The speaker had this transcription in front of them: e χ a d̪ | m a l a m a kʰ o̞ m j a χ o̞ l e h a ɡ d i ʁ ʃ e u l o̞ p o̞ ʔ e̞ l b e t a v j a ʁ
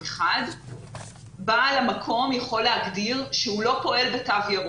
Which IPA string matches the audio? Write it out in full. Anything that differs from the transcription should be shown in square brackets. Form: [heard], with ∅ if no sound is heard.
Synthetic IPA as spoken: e χ a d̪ | [b] a l a m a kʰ o̞ m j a χ o̞ l e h a ɡ d i ʁ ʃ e u l o̞ p o̞ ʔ e̞ l b e t a v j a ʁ